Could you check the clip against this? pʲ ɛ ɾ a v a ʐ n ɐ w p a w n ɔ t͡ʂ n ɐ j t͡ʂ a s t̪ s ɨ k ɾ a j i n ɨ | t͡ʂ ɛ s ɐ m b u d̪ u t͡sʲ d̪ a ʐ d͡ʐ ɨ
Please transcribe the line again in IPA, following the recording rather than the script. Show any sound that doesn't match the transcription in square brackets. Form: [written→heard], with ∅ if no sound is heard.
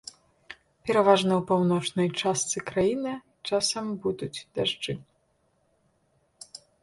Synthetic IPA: pʲ ɛ ɾ a v a ʐ n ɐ w p a w n ɔ t͡ʂ n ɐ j t͡ʂ a s t̪ s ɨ k ɾ a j i n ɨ | t͡ʂ [ɛ→a] s ɐ m b u d̪ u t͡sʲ d̪ a ʐ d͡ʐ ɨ

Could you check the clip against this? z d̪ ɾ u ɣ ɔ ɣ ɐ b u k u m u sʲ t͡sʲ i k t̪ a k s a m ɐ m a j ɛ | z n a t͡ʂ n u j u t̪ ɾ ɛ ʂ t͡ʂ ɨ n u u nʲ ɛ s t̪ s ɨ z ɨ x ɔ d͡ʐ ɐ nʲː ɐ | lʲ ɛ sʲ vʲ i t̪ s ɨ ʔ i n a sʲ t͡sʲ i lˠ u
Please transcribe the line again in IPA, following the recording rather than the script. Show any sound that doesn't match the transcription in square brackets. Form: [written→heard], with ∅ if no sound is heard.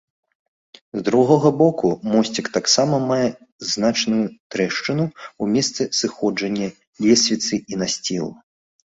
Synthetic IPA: z d̪ ɾ u ɣ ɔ ɣ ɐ b [u→ɔ] k u m [u→ɔ] sʲ t͡sʲ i k t̪ a k s a m ɐ m a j ɛ | z n a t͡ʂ n u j u t̪ ɾ ɛ ʂ t͡ʂ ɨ n u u [nʲ→mʲ] ɛ s t̪ s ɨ [z→s] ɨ x ɔ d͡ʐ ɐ nʲː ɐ | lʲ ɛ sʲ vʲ i t̪ s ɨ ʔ i n a sʲ t͡sʲ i lˠ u

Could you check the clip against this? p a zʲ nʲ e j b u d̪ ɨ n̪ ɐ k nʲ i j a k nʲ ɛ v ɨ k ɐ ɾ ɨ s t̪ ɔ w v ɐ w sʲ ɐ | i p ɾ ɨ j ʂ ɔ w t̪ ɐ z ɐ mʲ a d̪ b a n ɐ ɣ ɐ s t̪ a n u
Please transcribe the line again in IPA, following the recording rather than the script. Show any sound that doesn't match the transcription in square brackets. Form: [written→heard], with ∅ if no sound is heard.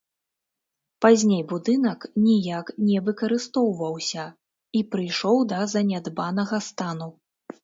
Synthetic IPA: p a zʲ nʲ e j b u d̪ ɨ n̪ ɐ k nʲ i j a k nʲ ɛ v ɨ k ɐ ɾ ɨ s t̪ ɔ w v ɐ w sʲ ɐ | i p ɾ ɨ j ʂ ɔ w [t̪→d̪] ɐ z ɐ [mʲ→nʲ] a d̪ b a n ɐ ɣ ɐ s t̪ a n u

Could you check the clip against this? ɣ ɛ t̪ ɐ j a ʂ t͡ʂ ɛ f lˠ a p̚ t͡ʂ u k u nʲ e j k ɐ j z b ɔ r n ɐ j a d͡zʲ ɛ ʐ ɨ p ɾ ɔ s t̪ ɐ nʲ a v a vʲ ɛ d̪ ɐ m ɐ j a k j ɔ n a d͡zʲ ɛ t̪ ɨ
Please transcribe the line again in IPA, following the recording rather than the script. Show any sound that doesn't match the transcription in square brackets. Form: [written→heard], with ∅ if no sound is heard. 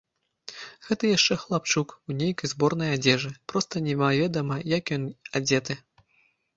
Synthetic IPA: ɣ ɛ t̪ ɐ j a ʂ t͡ʂ ɛ [f→x] lˠ a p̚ t͡ʂ u k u nʲ e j k ɐ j z b ɔ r n ɐ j a d͡zʲ ɛ ʐ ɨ p ɾ ɔ s t̪ ɐ nʲ [a→ɛ] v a vʲ ɛ d̪ ɐ m ɐ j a k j ɔ n a d͡zʲ ɛ t̪ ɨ

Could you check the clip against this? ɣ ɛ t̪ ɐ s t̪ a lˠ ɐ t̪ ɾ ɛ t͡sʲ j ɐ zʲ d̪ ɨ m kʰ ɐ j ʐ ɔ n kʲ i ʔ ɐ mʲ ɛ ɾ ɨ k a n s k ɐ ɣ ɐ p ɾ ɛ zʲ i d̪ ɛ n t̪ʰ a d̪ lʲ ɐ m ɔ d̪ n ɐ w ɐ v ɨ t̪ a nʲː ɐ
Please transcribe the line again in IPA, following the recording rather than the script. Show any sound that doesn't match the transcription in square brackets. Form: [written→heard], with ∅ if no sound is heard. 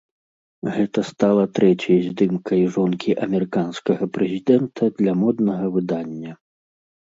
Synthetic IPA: ɣ ɛ t̪ ɐ s t̪ a lˠ ɐ t̪ ɾ ɛ t͡sʲ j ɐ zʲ d̪ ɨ m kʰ ɐ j ʐ ɔ n kʲ i ʔ ɐ mʲ ɛ ɾ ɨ k a n s k ɐ ɣ ɐ p ɾ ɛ zʲ i d̪ ɛ n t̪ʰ [a→ɐ] d̪ lʲ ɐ m ɔ d̪ n ɐ [w→ɣ] ɐ v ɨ [t̪→d̪] a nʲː ɐ

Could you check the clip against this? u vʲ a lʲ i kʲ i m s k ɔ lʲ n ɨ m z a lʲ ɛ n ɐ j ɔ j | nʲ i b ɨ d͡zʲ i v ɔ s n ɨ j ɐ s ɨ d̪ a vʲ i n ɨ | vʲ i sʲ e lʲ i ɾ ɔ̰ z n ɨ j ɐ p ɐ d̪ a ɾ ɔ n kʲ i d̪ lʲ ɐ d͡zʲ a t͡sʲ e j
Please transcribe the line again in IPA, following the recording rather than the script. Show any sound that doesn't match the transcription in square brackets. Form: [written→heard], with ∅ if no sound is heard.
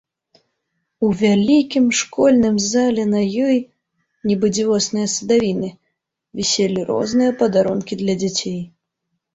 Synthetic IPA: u vʲ a lʲ i kʲ i m [s→ʂ] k ɔ lʲ n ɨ m z a lʲ ɛ n ɐ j ɔ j | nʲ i b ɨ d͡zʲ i v ɔ s n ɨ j ɐ s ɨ d̪ a vʲ i n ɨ | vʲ i sʲ e lʲ i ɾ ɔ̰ z n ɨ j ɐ p ɐ d̪ a ɾ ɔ n kʲ i d̪ lʲ ɐ d͡zʲ a t͡sʲ e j

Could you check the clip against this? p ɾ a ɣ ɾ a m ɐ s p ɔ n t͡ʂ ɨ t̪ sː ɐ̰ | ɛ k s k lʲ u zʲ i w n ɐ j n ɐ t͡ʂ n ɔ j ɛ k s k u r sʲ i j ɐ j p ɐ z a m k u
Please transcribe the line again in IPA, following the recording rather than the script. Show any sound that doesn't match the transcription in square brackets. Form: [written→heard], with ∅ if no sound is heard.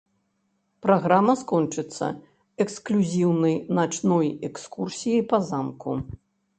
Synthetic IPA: p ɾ a ɣ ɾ a m ɐ s [p→k] ɔ n t͡ʂ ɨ t̪ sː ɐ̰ | ɛ k s k lʲ u zʲ i w n ɐ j n [ɐ→a] t͡ʂ n ɔ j ɛ k s k u r sʲ i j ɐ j p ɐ z a m k u

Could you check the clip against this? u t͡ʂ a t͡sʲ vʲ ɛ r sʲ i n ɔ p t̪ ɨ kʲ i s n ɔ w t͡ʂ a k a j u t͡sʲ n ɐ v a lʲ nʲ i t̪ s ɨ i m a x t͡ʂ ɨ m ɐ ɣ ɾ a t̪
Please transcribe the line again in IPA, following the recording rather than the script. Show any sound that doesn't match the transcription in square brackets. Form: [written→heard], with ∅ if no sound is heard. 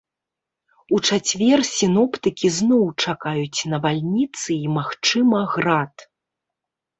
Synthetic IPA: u t͡ʂ a t͡sʲ vʲ ɛ r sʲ i n ɔ p t̪ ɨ kʲ i [s→z] n ɔ w t͡ʂ a k a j u t͡sʲ n ɐ v a lʲ nʲ i t̪ s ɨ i m a x t͡ʂ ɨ m ɐ ɣ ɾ a t̪

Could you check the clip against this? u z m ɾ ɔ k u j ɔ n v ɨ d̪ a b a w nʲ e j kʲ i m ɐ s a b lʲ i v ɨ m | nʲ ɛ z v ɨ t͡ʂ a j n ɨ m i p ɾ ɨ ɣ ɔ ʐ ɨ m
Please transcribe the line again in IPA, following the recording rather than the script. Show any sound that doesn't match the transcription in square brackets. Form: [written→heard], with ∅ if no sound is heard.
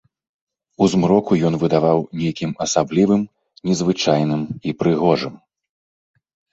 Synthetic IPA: u z m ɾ ɔ k u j ɔ n v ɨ d̪ a [b→v] a w nʲ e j kʲ i m ɐ s a b lʲ i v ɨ m | nʲ ɛ z v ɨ t͡ʂ a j n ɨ m i p ɾ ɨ ɣ ɔ ʐ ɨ m

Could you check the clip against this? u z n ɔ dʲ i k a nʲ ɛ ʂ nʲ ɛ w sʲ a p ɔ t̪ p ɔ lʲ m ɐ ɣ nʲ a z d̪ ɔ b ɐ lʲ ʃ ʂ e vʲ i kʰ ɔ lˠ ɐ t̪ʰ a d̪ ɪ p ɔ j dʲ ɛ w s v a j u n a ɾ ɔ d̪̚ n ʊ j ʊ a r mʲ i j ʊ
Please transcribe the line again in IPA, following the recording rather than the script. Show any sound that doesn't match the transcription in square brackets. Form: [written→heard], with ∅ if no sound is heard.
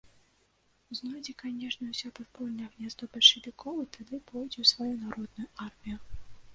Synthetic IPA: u z n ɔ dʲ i k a nʲ ɛ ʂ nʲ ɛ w sʲ a p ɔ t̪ p ɔ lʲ [m→n] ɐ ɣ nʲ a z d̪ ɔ b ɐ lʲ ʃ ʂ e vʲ i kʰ ɔ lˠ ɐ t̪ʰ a d̪ ɪ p ɔ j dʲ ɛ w s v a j u n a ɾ ɔ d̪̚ n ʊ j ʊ a r mʲ i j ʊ

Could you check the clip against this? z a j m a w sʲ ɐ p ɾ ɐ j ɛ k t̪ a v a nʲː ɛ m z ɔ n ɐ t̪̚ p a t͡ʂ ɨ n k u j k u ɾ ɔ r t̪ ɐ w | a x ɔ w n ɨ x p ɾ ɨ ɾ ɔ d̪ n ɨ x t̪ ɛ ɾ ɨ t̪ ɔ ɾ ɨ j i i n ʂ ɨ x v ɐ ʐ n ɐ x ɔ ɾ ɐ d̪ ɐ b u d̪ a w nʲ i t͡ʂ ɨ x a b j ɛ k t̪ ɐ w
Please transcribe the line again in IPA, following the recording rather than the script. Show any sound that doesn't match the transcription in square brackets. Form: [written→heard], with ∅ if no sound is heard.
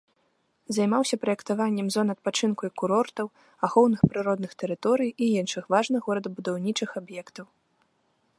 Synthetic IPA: z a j m a w sʲ ɐ p ɾ ɐ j ɛ k t̪ a v a nʲː ɛ m z ɔ n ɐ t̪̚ p a t͡ʂ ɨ n k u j k u ɾ ɔ r t̪ ɐ w | a x ɔ w n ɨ x p ɾ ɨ ɾ ɔ d̪ n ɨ x t̪ ɛ ɾ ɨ t̪ ɔ ɾ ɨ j i i n ʂ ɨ x v [ɐ→a] ʐ n ɐ [x→ɣ] ɔ ɾ ɐ d̪ ɐ b u d̪ a w nʲ i t͡ʂ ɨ x a b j ɛ k t̪ ɐ w

